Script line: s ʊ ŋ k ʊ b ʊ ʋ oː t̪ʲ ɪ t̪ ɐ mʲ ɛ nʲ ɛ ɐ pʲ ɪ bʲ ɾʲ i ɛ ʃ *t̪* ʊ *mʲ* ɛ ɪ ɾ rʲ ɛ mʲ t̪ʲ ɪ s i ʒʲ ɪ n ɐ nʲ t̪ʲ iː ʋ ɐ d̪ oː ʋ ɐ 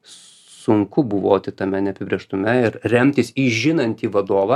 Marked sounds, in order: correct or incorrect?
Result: correct, correct

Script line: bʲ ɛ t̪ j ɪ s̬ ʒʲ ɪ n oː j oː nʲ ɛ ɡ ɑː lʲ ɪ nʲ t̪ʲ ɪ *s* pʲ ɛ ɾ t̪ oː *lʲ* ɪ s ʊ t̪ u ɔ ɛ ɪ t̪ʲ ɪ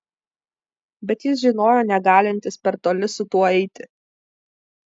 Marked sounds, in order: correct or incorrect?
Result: correct, correct

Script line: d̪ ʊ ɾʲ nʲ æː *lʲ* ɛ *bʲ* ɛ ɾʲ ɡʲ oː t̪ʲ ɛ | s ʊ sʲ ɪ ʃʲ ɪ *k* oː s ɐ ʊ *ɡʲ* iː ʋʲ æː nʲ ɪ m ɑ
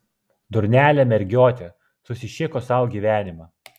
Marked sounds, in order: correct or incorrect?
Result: correct, incorrect, correct, correct

